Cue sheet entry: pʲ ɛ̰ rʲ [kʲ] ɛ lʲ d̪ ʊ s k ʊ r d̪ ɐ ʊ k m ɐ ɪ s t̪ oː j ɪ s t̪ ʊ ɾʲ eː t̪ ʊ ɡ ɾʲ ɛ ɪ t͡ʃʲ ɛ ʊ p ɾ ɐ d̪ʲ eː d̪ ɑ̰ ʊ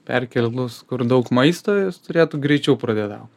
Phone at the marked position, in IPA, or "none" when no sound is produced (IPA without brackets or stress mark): kʲ